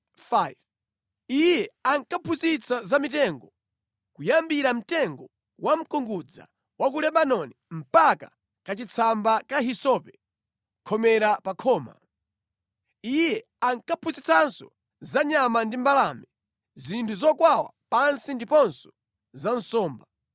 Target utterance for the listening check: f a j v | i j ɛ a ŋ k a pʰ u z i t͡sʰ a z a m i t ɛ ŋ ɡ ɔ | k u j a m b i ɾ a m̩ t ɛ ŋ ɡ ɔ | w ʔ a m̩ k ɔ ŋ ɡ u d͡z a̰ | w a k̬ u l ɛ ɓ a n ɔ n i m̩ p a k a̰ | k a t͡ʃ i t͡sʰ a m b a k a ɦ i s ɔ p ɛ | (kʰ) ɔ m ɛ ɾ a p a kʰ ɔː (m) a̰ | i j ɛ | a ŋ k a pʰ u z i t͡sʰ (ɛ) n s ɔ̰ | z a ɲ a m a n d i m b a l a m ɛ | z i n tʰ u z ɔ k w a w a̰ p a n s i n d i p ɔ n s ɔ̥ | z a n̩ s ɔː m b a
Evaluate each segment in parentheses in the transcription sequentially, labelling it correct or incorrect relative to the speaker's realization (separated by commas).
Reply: correct, correct, incorrect